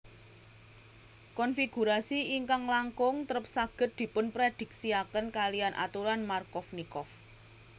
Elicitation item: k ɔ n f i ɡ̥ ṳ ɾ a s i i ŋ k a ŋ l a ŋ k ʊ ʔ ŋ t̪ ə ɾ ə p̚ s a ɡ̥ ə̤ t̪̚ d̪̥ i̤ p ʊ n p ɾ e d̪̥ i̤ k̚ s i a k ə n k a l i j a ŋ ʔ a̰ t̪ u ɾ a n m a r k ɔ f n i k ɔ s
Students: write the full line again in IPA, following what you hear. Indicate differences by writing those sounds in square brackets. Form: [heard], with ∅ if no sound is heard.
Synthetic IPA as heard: k ɔ n f i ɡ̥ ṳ ɾ a s i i ŋ k a ŋ l a ŋ k ʊ [∅] ŋ t̪ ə ɾ ə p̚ s a ɡ̥ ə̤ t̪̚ d̪̥ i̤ p ʊ n p ɾ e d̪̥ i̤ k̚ s i a k ə n k a l i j a [n] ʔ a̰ t̪ u ɾ a n m a r k ɔ f n i k ɔ [f]